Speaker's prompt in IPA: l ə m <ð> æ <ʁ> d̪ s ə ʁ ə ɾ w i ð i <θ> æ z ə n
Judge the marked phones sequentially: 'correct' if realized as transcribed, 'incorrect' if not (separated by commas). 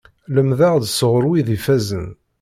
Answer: correct, correct, incorrect